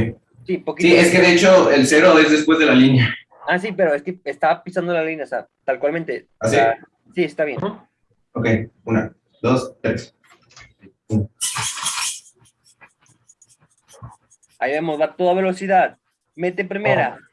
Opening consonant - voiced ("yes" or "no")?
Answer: no